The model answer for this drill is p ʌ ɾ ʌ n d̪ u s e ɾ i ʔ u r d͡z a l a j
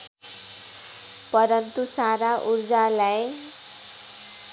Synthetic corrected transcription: p ʌ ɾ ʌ n t̪ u s a ɾ a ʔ u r d͡z a l a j